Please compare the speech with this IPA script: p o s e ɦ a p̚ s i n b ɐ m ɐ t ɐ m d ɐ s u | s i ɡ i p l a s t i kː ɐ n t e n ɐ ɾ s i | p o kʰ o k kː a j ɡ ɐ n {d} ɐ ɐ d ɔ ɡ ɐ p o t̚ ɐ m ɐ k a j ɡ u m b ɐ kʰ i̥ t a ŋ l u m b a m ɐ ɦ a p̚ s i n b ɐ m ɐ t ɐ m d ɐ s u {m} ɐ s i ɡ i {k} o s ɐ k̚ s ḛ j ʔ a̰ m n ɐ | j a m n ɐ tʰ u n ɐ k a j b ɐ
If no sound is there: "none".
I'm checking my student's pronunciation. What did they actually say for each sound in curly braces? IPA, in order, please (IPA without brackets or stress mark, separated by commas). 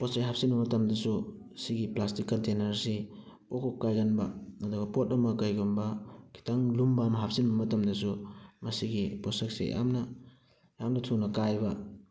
b, m, p